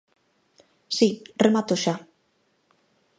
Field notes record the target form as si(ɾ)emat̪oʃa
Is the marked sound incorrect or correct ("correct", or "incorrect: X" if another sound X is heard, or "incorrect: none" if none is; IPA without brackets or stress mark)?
incorrect: r